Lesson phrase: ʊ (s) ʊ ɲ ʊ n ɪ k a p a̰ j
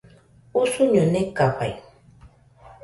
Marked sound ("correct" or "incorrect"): correct